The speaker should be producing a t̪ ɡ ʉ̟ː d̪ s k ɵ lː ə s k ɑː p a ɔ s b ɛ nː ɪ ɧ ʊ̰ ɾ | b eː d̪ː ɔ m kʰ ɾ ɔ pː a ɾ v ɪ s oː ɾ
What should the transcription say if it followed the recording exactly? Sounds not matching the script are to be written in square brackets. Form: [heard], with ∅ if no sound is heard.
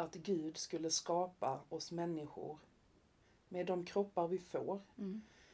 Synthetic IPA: a t̪ ɡ ʉ̟ː d̪ s k ɵ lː ə s k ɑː p a ɔ s [m] ɛ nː ɪ ɧ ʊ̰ ɾ | [m] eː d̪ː ɔ m kʰ ɾ ɔ pː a ɾ v ɪ [f] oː ɾ